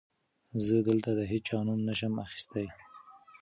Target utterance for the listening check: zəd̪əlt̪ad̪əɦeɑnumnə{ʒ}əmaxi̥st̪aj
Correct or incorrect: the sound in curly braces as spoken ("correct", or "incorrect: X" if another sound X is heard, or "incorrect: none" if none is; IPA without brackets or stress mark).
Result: incorrect: ʃ